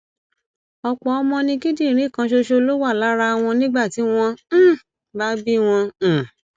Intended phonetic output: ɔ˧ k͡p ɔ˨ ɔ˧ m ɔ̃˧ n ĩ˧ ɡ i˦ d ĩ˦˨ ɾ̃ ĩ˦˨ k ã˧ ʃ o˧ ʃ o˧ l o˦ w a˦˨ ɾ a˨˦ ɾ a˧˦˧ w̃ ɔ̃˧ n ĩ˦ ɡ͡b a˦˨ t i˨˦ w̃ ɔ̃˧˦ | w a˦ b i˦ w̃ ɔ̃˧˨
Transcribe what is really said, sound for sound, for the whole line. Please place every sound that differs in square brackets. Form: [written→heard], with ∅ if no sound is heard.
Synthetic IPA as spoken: ɔ˧ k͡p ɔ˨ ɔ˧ m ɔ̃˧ n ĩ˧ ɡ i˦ d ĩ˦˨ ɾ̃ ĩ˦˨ k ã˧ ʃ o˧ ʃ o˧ l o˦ w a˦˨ [ɾ→l] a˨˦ ɾ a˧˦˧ w̃ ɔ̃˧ n ĩ˦ ɡ͡b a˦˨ t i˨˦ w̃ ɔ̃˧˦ | [w→b] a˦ b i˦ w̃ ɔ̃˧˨